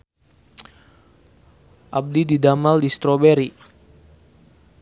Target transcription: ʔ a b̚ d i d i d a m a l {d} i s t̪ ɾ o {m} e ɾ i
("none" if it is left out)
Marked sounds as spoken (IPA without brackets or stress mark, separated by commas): d, b